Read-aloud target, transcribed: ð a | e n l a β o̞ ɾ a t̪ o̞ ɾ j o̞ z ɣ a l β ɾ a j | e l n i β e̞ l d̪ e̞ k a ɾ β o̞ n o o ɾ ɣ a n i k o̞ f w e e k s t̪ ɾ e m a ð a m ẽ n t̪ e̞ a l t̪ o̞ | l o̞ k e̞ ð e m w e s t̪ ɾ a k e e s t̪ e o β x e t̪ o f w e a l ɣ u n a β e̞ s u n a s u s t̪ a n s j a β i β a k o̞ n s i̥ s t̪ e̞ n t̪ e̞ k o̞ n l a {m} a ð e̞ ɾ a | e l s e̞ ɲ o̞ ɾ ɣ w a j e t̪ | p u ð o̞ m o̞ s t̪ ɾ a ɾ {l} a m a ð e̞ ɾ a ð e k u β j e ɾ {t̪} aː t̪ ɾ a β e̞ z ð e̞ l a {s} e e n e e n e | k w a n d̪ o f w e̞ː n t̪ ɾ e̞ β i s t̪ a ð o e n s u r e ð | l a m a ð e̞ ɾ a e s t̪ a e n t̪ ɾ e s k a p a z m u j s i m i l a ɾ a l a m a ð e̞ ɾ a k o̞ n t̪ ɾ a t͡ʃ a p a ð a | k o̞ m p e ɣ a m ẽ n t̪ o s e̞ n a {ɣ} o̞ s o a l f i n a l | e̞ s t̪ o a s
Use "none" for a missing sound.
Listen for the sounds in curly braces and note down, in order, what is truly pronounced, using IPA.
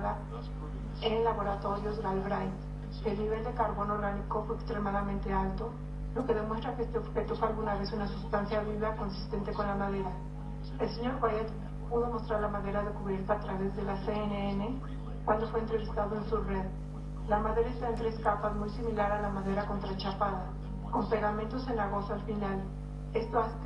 m, l, t̪, s, ɣ

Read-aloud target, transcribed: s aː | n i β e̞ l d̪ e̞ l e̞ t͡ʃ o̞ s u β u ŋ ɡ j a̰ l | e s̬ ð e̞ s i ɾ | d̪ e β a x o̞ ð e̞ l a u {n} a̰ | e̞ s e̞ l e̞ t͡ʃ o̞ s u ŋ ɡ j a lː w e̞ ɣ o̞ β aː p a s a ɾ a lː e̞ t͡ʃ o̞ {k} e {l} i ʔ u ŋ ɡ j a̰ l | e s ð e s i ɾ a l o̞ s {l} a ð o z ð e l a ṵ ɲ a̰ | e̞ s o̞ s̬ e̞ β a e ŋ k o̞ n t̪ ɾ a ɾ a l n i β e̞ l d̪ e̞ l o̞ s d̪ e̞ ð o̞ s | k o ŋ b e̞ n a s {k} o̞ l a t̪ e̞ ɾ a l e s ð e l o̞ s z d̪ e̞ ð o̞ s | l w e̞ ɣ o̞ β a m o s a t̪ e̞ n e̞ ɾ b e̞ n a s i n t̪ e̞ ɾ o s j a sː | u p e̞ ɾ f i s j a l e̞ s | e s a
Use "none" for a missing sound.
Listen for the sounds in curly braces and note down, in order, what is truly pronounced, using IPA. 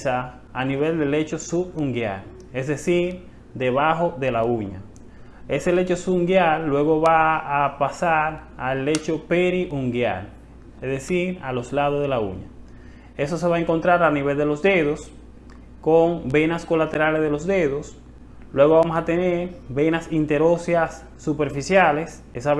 ɲ, p, ɾ, l, k

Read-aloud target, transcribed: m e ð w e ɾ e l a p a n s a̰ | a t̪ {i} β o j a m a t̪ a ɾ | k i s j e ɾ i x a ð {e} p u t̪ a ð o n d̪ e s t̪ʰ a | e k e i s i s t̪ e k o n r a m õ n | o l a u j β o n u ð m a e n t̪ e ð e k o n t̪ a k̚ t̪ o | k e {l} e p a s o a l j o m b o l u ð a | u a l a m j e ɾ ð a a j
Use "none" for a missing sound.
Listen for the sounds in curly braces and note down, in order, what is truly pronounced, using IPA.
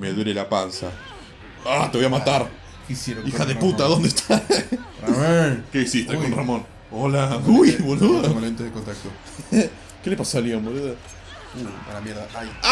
e, e, l

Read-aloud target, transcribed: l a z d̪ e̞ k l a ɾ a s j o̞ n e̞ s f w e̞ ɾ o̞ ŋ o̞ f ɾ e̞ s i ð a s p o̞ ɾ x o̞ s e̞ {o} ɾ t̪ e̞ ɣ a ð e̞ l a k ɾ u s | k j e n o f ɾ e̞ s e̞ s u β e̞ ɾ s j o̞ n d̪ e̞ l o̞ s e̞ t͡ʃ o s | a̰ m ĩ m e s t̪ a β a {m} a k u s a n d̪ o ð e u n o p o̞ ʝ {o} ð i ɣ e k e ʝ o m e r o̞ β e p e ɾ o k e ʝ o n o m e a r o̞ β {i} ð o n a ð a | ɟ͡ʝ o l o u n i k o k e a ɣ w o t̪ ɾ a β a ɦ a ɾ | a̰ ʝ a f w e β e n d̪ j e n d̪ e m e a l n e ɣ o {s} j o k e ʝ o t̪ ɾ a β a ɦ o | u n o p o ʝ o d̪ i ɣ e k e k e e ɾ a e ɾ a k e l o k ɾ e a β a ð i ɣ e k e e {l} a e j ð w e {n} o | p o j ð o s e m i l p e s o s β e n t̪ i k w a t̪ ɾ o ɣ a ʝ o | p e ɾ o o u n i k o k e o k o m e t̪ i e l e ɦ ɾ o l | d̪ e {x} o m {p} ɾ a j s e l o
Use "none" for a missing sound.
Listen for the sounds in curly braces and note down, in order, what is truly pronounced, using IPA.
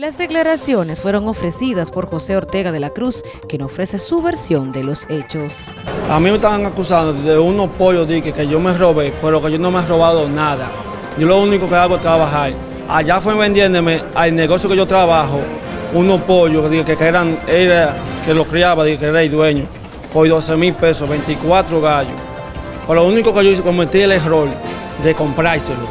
o, ŋ, o, a, s, ɾ, ɲ, k, p

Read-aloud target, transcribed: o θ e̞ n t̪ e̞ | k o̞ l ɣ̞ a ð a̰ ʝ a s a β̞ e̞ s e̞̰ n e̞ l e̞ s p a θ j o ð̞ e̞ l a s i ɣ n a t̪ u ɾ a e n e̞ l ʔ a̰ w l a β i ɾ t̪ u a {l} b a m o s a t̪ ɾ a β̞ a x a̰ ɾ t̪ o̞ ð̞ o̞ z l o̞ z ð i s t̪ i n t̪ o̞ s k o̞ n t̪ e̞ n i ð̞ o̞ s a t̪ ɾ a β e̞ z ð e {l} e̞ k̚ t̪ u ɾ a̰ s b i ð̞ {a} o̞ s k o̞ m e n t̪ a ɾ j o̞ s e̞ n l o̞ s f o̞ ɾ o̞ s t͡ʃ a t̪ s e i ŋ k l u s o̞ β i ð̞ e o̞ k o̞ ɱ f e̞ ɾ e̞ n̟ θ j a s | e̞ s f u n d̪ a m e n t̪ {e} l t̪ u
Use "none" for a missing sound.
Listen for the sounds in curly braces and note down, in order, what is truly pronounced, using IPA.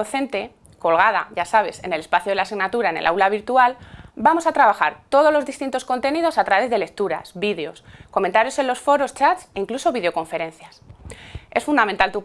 l, l, e, a

